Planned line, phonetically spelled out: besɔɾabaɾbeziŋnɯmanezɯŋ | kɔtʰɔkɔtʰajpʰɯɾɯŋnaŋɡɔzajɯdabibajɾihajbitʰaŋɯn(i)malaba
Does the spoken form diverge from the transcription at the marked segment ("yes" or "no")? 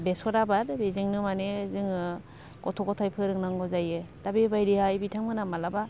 yes